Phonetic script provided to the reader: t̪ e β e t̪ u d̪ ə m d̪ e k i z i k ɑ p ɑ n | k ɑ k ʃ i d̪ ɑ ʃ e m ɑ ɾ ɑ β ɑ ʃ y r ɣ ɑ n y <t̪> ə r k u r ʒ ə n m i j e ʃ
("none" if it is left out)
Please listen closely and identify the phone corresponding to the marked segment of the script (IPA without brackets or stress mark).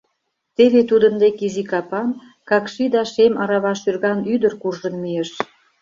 d̪